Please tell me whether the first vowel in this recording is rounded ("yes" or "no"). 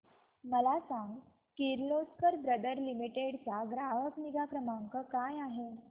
no